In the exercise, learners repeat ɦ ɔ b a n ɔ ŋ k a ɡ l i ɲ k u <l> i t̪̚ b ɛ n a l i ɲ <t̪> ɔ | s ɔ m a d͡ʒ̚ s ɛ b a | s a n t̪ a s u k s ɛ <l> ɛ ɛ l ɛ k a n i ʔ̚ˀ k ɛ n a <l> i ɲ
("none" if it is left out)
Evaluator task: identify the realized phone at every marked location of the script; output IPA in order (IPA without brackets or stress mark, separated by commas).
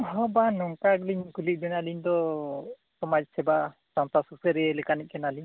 l, d̪, ɾ, l